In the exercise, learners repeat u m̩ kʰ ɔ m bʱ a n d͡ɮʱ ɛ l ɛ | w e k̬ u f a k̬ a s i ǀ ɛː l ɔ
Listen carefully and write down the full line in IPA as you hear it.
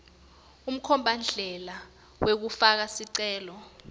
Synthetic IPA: u m̩ kʰ ɔ m bʱ a n d͡ɮʱ ɛ l a | w e k̬ u f a k̬ a s i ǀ ɛː l ɔ